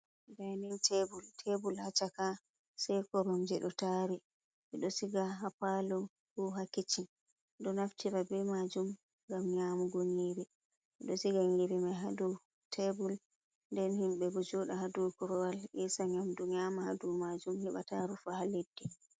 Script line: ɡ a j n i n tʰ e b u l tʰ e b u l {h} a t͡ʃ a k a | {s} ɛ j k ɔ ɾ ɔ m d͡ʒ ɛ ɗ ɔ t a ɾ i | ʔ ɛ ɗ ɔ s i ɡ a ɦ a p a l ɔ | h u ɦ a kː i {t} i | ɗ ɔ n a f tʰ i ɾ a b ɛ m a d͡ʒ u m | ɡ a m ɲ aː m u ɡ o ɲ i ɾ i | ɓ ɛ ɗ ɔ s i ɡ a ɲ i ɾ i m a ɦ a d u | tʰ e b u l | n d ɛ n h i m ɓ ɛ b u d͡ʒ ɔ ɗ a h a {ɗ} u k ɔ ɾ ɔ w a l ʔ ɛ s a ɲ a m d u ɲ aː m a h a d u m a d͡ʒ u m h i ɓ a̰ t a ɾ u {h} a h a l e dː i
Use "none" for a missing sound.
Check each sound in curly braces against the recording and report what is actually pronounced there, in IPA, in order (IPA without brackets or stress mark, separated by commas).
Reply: h, s, t͡ʃ, d, f